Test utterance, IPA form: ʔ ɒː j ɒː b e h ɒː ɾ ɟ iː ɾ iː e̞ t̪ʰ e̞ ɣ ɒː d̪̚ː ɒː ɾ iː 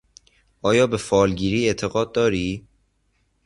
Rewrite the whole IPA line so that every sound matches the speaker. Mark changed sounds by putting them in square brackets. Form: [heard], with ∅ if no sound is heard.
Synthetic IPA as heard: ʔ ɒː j ɒː b e [f] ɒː [l] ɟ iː ɾ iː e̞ t̪ʰ e̞ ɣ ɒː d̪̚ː ɒː ɾ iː